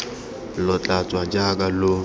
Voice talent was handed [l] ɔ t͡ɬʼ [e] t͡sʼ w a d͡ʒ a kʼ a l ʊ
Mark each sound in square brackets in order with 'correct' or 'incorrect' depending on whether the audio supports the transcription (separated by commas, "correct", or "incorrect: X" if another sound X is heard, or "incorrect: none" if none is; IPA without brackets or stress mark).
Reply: correct, incorrect: a